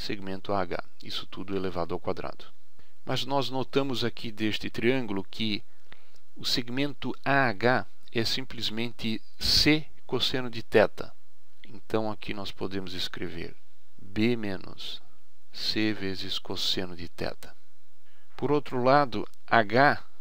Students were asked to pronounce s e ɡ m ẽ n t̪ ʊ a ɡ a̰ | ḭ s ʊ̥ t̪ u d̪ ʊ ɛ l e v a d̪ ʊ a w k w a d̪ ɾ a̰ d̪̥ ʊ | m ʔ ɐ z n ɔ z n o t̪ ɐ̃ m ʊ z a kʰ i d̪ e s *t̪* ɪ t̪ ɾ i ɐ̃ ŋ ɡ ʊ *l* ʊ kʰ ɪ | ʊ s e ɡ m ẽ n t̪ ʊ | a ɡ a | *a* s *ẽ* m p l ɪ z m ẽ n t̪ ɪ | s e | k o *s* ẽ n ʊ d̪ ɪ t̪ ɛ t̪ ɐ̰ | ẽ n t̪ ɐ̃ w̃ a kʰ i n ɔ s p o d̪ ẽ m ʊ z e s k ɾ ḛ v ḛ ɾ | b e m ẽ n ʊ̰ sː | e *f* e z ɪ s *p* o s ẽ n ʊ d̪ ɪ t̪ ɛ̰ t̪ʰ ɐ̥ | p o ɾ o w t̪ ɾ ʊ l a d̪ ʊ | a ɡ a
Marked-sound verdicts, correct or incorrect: correct, correct, incorrect: ɛ, incorrect: ĩ, correct, incorrect: v, incorrect: k

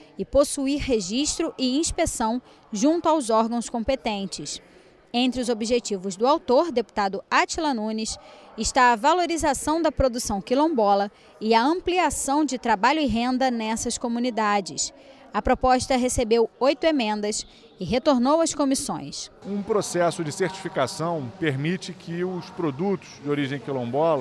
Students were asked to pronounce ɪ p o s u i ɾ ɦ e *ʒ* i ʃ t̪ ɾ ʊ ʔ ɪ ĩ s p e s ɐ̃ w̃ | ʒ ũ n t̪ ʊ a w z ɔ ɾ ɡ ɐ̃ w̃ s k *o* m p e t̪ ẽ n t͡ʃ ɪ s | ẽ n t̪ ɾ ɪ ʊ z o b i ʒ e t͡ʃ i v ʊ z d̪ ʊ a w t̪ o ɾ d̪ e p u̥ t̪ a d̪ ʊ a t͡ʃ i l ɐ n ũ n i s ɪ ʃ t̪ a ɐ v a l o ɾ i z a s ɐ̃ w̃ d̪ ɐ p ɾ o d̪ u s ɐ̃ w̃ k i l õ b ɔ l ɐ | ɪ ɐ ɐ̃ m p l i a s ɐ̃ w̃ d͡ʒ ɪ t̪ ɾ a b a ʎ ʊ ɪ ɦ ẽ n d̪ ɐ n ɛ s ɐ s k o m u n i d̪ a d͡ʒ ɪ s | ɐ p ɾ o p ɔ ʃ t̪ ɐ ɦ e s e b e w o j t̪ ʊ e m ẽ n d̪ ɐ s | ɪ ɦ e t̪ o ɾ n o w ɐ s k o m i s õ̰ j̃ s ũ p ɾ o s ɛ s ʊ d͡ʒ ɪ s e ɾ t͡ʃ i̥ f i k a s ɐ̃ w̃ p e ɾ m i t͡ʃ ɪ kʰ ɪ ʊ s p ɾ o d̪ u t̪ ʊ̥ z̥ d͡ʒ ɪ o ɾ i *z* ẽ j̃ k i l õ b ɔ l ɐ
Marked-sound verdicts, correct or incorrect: correct, incorrect: õ, incorrect: ʒ

